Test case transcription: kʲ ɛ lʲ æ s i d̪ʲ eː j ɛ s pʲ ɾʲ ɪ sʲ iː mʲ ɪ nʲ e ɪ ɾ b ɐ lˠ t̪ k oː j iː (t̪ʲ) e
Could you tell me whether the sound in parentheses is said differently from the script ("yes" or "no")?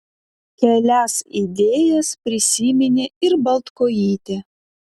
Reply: no